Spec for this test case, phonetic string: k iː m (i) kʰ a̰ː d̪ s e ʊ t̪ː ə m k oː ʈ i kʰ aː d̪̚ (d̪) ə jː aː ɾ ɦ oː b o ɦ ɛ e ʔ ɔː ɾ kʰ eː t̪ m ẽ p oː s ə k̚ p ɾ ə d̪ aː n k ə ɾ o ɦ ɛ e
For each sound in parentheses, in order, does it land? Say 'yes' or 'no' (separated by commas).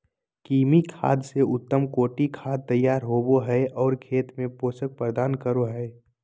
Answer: yes, no